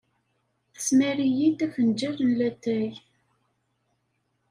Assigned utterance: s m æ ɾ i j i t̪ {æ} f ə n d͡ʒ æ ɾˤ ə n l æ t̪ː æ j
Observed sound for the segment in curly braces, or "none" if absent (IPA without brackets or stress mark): æ